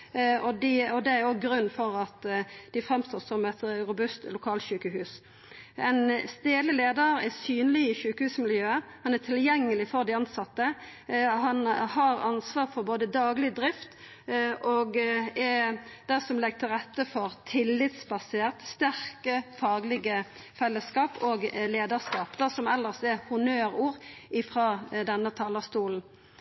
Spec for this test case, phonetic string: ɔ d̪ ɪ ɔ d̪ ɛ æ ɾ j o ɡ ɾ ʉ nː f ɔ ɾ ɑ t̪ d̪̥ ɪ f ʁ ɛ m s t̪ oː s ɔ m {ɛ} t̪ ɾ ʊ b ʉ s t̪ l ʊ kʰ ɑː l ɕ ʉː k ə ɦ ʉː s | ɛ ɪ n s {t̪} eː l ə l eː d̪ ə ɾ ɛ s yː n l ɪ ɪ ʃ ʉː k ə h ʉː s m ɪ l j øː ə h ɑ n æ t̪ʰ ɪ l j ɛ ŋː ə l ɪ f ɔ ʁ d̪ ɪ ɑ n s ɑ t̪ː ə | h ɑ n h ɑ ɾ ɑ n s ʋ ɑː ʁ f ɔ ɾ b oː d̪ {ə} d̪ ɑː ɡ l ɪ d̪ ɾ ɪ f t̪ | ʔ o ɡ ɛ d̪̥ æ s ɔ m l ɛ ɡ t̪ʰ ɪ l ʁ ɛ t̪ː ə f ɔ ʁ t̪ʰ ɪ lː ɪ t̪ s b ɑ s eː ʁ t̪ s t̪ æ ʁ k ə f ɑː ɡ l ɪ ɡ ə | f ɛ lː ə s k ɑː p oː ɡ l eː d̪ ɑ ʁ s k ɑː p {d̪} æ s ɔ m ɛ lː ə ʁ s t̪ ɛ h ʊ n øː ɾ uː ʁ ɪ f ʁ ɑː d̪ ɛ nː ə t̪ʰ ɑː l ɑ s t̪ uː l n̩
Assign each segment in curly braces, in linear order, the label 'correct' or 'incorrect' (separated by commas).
correct, correct, correct, correct